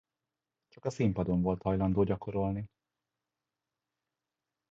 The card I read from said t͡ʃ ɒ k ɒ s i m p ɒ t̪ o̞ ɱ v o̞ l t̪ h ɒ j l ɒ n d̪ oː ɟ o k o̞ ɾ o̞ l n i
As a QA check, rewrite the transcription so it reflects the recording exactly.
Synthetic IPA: t͡ʃ ɒ k ɒ s i m p ɒ d̪ o̞ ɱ v o̞ l t̪ h ɒ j l ɒ n d̪ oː ɟ ɒ k o̞ ɾ o̞ l n i